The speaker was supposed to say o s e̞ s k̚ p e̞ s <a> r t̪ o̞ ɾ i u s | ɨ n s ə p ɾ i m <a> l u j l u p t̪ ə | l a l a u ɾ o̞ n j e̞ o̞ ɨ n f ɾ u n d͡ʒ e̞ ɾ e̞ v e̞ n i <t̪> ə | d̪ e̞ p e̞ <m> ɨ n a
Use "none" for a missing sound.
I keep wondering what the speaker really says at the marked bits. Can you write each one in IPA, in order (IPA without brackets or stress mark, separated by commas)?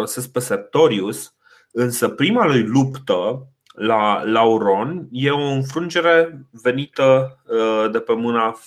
e, a, t̪, m